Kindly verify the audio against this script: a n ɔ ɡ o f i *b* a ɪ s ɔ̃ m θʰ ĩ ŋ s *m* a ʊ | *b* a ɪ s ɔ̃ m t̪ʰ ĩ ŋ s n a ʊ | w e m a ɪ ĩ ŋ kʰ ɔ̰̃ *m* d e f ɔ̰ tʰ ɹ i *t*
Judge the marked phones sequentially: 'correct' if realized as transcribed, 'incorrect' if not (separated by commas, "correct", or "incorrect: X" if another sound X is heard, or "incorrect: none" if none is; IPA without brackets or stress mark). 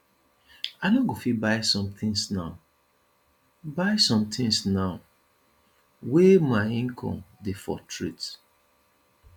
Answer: correct, incorrect: n, correct, correct, correct